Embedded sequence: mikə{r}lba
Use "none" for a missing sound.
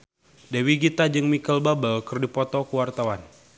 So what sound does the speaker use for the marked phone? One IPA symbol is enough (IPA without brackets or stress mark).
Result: none